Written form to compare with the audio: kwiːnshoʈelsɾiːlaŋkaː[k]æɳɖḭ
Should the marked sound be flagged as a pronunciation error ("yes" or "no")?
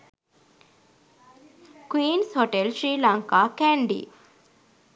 no